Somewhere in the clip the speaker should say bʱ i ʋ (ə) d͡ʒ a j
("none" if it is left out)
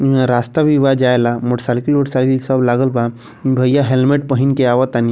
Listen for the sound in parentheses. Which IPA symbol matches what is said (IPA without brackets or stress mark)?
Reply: a